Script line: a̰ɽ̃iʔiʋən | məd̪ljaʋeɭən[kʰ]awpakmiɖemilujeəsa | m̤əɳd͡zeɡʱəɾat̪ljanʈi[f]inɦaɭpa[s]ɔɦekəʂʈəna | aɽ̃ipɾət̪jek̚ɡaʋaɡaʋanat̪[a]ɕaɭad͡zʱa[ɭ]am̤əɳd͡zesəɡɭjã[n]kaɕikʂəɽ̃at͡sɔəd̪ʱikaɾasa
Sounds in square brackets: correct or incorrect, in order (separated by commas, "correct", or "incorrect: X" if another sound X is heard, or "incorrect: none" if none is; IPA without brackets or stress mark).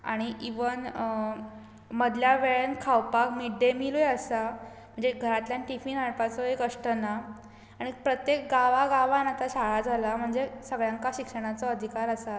correct, correct, incorrect: t͡s, correct, incorrect: l, incorrect: ŋ